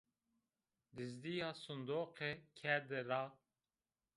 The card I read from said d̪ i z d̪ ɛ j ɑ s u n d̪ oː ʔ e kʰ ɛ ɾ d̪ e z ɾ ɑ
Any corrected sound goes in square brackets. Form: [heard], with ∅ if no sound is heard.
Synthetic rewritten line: d̪ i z d̪ [i] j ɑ s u n d̪ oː [q] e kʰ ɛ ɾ d̪ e [∅] ɾ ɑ